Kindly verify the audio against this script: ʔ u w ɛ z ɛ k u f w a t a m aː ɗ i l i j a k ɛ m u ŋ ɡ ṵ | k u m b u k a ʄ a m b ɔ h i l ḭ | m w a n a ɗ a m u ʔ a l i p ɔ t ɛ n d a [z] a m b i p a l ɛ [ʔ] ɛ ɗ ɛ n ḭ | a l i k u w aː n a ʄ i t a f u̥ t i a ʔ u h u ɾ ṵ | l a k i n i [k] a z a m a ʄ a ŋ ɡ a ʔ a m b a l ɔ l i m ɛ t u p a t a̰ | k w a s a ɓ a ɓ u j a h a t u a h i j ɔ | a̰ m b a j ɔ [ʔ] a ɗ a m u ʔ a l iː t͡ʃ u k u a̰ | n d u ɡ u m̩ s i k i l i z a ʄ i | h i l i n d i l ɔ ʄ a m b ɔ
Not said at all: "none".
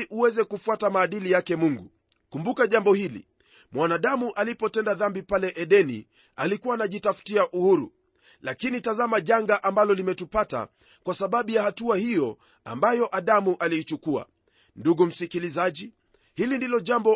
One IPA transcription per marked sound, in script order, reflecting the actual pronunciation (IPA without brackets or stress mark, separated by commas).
ð, ʔ, t, ʔ